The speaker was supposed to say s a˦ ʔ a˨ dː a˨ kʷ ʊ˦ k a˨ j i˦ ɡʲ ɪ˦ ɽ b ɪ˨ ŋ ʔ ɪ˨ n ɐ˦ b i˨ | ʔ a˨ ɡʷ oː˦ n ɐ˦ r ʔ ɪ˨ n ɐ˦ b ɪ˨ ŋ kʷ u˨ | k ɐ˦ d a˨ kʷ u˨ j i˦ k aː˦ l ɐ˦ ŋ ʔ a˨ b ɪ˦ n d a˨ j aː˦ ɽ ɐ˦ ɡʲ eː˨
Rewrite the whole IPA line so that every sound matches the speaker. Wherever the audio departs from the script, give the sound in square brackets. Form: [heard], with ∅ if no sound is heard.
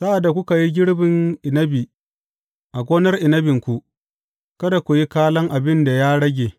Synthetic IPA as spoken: s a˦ ʔ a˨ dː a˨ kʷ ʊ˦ k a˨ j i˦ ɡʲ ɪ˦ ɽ b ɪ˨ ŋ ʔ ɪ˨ n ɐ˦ b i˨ | ʔ a˨ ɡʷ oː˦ n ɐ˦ r ʔ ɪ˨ n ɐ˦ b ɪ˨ ŋ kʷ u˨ | k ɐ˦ d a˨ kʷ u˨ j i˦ k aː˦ l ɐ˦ ŋ ʔ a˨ b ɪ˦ n d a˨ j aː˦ ɽ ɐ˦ ɡʲ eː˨